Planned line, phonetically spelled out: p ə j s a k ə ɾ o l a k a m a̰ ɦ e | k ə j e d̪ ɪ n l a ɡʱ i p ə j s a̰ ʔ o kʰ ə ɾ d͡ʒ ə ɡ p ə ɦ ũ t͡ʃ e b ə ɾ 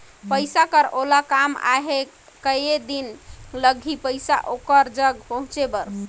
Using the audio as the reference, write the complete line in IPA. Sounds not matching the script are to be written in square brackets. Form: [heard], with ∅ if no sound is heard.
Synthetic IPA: p ə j s a k ə ɾ o l a k a m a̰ ɦ e | k ə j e d̪ [i] n l [ə] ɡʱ i p ə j s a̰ ʔ o [k] ə ɾ d͡ʒ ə ɡ p ə ɦ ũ t͡ʃ e b ə ɾ